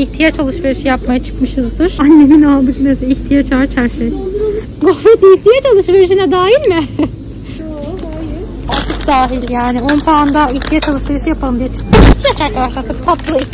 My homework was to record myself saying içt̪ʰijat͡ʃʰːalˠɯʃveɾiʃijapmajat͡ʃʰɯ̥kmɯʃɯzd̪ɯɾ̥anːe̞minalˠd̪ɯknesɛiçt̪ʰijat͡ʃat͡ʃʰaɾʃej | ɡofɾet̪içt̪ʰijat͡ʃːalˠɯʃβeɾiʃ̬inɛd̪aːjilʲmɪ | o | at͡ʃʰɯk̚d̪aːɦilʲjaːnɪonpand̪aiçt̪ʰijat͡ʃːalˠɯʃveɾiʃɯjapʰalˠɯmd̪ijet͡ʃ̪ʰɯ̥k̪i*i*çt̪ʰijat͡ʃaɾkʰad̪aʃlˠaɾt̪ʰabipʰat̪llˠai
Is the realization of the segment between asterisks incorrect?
no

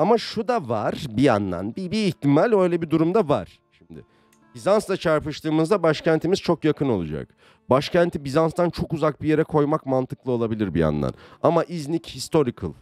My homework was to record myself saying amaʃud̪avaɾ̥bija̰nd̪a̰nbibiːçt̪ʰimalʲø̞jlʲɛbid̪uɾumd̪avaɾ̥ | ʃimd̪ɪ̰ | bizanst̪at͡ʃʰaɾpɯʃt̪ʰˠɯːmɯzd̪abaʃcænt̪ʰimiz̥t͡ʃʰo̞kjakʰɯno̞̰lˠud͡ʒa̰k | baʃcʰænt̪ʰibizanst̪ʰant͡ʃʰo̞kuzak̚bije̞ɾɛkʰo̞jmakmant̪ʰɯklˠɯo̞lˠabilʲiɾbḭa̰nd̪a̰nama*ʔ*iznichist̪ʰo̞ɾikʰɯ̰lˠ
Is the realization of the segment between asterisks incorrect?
no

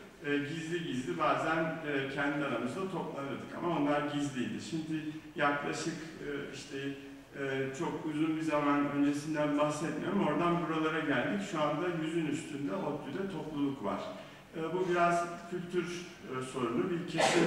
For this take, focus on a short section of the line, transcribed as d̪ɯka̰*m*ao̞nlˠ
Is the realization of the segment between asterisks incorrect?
no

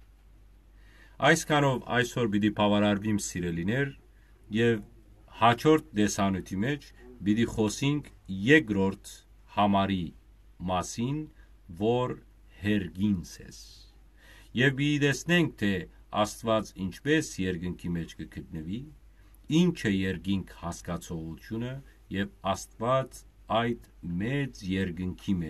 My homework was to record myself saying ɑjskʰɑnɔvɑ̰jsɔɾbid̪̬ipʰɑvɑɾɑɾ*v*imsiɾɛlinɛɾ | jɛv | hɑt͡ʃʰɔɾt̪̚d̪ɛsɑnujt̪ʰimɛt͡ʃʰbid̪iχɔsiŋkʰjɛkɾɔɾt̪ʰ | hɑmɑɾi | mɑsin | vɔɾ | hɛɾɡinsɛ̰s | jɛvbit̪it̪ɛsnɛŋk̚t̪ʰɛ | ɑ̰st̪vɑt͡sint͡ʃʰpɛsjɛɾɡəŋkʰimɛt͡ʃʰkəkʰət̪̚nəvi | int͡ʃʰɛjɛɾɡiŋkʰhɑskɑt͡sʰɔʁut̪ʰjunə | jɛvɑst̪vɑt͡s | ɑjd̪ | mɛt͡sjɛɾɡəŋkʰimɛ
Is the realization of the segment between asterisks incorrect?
no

